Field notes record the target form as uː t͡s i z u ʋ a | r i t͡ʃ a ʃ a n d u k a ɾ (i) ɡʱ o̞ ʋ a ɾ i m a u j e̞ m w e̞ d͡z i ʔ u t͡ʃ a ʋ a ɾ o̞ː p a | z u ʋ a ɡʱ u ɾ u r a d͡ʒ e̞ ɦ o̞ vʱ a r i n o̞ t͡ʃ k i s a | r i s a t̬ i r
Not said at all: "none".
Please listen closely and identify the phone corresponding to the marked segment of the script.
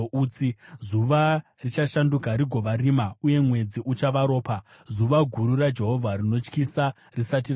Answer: i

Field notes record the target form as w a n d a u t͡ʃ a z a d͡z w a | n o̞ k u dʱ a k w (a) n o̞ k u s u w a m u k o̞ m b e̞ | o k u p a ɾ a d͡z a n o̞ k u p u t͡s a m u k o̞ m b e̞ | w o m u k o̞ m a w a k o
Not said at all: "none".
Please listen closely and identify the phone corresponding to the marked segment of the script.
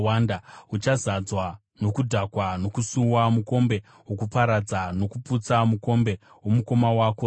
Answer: a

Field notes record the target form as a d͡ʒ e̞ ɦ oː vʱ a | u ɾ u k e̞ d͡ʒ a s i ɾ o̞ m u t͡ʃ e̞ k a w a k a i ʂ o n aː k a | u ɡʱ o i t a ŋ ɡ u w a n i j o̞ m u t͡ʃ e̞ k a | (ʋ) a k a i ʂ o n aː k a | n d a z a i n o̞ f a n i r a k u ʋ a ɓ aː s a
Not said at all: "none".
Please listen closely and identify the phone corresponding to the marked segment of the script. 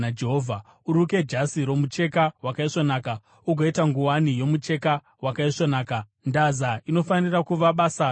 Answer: w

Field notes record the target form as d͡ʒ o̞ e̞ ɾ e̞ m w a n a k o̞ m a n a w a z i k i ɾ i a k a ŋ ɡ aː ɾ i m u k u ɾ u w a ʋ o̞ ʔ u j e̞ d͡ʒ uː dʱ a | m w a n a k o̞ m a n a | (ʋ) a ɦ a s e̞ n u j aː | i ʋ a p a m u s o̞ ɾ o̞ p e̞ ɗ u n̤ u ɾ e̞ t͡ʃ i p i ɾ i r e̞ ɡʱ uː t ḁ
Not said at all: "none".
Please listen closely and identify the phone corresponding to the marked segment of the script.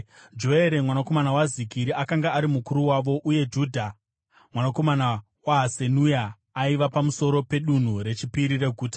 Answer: w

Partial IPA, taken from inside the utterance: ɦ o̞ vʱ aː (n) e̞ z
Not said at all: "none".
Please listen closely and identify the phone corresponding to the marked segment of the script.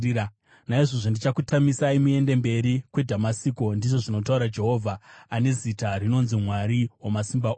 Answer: n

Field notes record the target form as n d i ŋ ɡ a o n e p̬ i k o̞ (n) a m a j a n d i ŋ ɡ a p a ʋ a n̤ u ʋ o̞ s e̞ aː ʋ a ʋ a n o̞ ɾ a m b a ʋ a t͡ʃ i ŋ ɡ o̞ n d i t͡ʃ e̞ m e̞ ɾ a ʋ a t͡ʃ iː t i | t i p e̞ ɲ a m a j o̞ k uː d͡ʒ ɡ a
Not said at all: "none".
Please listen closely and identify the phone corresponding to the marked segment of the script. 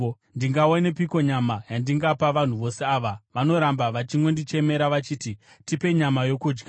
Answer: ɲ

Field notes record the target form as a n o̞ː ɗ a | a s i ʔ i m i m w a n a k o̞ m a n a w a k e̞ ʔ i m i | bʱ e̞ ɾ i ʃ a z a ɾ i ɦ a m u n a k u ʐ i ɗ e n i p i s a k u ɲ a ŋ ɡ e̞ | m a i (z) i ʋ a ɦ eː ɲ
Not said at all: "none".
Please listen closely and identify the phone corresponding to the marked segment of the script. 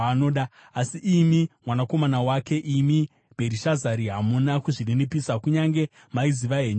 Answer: z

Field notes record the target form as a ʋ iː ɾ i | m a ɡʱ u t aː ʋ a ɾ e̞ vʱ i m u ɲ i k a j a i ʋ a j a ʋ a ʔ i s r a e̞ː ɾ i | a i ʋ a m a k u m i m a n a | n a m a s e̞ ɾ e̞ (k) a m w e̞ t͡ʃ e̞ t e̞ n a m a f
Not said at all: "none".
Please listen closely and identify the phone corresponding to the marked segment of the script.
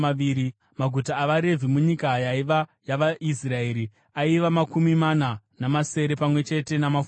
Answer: p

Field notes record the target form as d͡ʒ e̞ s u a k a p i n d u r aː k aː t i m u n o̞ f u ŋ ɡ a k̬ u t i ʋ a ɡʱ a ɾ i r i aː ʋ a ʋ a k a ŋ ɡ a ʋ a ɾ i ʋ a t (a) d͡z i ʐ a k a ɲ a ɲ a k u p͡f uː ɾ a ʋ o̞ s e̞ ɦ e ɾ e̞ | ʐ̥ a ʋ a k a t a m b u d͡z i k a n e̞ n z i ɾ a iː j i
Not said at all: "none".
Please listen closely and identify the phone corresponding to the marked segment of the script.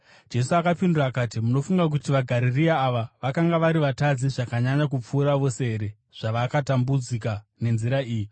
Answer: a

